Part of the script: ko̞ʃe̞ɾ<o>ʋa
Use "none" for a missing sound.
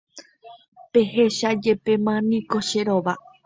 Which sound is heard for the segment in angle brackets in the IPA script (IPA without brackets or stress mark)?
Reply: o